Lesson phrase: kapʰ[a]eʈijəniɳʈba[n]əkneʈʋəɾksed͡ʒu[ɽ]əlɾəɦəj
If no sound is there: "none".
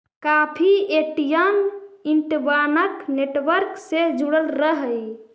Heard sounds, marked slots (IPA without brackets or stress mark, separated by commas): i, n, ɽ